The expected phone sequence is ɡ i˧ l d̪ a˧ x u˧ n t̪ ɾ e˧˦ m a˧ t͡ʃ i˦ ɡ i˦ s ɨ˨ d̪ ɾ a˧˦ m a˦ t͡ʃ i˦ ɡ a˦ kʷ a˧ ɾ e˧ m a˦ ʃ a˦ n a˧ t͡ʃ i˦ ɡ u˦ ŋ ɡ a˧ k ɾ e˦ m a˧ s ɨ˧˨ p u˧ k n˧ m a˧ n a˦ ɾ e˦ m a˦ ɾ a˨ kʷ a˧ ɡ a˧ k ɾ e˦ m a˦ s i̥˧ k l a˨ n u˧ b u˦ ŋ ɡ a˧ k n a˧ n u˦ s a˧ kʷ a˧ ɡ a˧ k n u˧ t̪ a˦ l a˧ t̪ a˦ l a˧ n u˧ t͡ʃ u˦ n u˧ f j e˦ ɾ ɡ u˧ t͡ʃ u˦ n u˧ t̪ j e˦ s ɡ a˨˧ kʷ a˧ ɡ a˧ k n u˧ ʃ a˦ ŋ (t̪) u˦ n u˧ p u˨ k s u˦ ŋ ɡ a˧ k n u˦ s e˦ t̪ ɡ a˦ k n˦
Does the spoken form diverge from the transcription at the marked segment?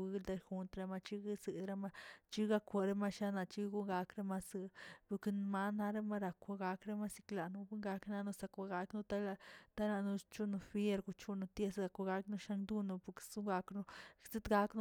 yes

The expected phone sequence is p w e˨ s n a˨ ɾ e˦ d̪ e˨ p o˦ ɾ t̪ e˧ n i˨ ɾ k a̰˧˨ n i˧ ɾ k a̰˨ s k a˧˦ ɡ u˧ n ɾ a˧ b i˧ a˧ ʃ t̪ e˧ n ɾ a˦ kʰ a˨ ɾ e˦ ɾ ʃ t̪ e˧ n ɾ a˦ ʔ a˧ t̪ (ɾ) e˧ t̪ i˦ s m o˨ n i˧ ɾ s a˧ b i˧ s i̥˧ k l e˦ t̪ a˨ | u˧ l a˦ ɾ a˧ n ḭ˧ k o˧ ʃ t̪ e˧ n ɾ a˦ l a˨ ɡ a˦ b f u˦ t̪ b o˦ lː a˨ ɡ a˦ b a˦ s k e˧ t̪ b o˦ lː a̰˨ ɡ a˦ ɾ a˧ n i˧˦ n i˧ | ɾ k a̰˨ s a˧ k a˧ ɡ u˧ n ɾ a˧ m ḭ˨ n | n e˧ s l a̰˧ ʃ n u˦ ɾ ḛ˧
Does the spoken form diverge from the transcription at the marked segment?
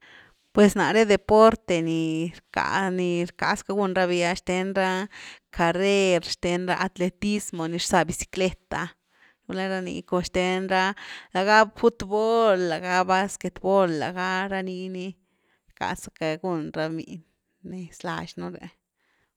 yes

